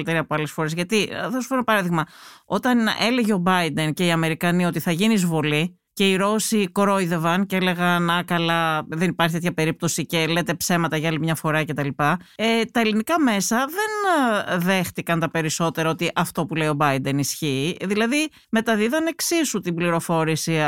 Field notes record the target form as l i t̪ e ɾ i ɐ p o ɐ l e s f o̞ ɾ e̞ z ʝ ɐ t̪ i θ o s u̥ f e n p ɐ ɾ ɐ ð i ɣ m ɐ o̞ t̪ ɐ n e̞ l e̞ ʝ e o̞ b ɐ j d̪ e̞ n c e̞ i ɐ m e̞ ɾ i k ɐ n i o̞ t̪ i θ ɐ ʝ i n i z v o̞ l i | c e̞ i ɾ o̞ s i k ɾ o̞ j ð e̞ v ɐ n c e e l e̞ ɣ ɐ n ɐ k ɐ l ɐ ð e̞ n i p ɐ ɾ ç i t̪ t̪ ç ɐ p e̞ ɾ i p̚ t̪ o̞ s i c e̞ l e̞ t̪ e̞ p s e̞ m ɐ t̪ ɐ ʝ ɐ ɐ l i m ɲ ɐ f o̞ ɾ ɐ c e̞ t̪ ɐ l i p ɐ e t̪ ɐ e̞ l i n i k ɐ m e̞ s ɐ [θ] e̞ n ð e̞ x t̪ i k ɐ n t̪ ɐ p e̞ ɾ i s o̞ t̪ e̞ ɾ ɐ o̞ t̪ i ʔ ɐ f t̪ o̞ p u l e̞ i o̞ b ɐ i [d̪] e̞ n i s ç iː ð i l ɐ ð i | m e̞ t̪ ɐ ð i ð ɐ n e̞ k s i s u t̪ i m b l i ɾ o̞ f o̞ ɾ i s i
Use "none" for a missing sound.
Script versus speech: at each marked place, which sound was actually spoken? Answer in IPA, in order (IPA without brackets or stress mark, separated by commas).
ð, d̪